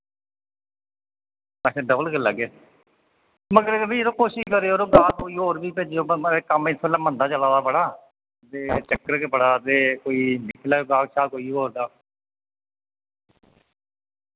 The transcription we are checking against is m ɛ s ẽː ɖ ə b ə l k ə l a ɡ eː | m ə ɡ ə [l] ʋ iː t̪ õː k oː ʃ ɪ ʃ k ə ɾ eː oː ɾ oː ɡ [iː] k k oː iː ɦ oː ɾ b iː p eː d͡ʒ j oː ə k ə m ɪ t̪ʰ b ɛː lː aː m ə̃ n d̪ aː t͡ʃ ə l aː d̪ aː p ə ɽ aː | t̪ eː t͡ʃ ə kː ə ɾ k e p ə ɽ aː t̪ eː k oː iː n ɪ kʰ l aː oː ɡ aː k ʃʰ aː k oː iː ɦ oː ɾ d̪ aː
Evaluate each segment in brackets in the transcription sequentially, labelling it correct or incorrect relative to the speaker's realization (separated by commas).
incorrect, incorrect